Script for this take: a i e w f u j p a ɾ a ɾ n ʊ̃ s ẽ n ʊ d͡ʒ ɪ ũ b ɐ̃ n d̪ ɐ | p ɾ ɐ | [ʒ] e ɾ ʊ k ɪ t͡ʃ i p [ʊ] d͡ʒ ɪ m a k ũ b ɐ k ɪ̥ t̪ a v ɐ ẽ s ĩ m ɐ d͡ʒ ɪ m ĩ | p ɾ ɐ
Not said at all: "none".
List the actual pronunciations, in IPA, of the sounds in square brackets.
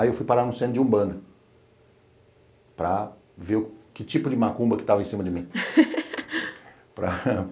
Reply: v, ʊ

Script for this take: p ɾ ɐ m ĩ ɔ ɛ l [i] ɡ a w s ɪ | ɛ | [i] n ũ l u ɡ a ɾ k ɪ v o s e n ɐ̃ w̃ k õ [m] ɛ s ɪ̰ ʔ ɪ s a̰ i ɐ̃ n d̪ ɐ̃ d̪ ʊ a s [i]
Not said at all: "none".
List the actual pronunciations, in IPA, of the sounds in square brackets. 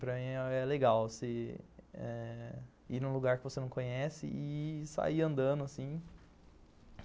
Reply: e, i, ɲ, ĩ

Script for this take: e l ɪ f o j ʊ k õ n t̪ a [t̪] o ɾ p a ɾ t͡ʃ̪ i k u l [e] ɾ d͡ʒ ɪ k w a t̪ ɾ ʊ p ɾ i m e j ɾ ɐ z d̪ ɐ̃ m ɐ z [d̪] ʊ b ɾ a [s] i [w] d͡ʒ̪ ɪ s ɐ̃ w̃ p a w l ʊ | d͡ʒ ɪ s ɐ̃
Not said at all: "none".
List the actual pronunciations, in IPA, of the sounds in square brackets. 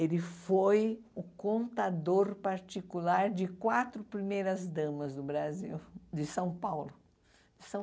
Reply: d̪, a, d̪, z, w

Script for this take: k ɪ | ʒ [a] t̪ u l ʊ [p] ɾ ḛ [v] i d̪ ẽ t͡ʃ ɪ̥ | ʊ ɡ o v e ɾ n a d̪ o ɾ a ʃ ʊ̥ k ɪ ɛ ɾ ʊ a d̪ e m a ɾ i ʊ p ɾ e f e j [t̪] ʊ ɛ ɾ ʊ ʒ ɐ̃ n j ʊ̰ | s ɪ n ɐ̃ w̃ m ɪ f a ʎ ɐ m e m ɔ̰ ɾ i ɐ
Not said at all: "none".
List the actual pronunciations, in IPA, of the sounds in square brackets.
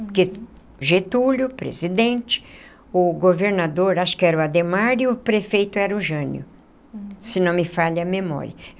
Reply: e, p, z, t̪

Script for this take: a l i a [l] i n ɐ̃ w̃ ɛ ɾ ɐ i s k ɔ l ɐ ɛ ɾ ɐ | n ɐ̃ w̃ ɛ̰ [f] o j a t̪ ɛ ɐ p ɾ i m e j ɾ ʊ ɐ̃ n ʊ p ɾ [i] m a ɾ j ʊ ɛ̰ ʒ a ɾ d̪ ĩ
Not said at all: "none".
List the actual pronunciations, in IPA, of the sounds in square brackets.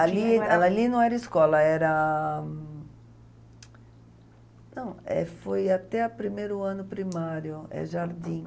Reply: l, f, i

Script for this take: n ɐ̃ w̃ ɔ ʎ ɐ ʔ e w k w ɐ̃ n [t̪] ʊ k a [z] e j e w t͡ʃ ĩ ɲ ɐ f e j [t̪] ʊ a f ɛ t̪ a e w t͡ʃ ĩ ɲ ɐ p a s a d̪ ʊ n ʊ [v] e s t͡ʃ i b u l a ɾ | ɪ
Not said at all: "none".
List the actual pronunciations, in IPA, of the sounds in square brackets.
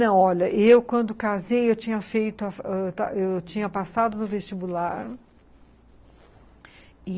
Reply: d̪, z, t̪, v

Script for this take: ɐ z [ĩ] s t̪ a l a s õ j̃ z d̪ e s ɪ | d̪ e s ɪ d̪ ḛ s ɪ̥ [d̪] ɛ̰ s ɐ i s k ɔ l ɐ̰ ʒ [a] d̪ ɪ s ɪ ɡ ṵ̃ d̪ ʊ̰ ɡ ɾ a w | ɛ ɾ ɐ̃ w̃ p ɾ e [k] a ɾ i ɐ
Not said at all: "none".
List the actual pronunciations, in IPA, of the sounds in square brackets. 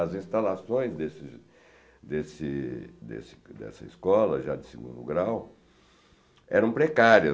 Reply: ĩ, d̪, a, k

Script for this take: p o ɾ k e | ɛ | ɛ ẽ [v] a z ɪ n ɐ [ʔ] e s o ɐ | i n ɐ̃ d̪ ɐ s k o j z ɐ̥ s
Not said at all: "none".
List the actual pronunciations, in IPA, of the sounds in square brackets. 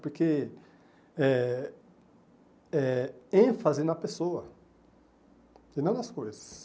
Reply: f, p

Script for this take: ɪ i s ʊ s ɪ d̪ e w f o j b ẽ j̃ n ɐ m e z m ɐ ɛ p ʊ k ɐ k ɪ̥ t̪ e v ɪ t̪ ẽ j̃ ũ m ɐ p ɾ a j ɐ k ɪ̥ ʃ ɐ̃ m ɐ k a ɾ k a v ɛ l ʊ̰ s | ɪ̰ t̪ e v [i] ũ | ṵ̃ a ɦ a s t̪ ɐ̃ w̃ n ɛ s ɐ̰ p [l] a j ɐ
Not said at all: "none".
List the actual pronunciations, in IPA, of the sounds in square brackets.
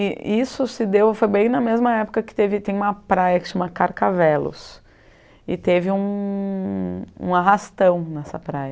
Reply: ɪ, ɾ

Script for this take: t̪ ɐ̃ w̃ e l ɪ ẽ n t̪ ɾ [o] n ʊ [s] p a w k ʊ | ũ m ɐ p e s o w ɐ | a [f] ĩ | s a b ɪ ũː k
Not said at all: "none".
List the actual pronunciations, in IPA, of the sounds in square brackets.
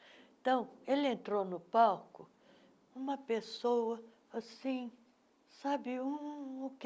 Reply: o, none, s

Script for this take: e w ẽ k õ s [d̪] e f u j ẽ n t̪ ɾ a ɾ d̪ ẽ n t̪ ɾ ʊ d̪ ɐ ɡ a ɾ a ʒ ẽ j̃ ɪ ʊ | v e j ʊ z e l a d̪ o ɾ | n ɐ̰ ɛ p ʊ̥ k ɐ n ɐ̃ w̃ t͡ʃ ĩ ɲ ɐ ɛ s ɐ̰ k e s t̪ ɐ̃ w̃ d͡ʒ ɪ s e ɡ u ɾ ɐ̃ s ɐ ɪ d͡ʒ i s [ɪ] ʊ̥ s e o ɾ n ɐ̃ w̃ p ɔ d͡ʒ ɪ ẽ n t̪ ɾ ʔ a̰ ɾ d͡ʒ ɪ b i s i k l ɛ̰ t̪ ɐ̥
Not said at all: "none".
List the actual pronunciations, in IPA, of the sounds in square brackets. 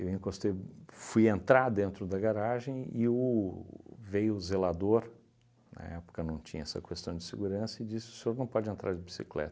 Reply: t̪, ɪ

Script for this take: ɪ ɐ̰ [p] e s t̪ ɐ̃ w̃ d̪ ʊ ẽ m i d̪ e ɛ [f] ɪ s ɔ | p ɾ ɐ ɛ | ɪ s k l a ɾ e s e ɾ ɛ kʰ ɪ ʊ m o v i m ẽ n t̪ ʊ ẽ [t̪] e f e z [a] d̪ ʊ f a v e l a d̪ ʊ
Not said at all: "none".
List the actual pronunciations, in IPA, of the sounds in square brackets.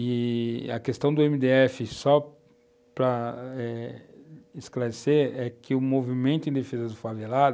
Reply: k, f, d̪, ɐ

